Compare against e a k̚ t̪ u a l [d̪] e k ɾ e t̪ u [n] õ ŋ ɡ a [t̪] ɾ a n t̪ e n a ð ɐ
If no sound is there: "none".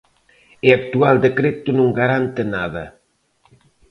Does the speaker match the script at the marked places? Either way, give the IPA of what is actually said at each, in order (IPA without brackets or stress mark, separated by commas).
d̪, n, none